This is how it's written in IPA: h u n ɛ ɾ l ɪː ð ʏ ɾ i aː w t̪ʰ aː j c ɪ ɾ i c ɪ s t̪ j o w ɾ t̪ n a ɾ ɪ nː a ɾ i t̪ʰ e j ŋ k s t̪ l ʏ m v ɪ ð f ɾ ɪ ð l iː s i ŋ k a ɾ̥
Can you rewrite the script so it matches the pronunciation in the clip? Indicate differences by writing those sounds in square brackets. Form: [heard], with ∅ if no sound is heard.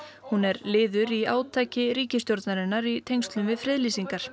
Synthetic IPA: h u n ɛ ɾ l ɪː ð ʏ ɾ i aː w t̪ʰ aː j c ɪ ɾ [iː] c ɪ s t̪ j o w ɾ t̪ n a ɾ ɪ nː a ɾ i t̪ʰ e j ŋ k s t̪ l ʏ m v ɪ ð f ɾ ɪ ð l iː s i ŋ k a ɾ̥